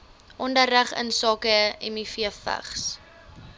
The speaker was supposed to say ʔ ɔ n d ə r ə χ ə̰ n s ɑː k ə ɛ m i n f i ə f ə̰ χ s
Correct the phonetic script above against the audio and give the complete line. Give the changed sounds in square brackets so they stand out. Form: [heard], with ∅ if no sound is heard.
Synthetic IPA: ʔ ɔ n d ə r ə χ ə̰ n s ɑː k ə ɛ m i [∅] f i ə f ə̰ χ s